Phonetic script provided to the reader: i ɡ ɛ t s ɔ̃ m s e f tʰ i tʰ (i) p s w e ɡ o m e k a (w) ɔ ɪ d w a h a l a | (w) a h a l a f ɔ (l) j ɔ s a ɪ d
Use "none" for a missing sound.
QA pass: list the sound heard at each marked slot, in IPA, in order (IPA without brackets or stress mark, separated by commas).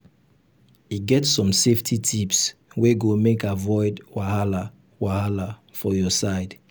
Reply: i, v, w, none